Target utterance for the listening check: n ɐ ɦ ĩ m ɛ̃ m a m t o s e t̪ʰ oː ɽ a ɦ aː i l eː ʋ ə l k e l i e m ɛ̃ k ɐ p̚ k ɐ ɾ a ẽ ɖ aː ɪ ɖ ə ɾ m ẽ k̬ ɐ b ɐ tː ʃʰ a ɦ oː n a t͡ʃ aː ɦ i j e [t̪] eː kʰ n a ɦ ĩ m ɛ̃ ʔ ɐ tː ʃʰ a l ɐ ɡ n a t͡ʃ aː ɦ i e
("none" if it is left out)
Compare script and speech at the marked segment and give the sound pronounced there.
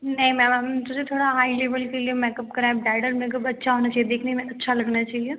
d̪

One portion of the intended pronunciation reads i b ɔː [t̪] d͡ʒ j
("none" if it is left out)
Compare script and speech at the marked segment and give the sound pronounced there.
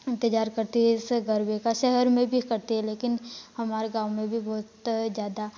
t̪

